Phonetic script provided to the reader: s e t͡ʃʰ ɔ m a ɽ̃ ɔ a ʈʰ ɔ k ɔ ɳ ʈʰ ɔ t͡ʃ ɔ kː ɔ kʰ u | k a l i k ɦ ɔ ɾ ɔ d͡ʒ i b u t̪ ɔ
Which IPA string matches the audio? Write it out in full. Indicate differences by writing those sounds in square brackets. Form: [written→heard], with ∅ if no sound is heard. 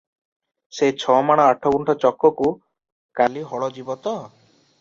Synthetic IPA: s e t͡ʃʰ ɔ m a ɽ̃ ɔ a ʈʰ ɔ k [ɔ→u] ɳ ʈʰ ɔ t͡ʃ ɔ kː ɔ [kʰ→k] u | k a l i [k→∅] ɦ ɔ [ɾ→ɭ] ɔ d͡ʒ i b [u→ɔ] t̪ ɔ